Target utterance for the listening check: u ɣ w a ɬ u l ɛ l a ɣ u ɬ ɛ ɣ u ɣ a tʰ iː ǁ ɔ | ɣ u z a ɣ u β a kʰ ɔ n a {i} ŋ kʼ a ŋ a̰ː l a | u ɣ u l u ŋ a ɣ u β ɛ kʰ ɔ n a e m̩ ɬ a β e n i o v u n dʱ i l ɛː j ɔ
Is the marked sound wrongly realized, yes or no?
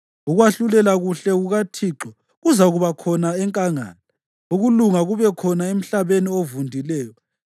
yes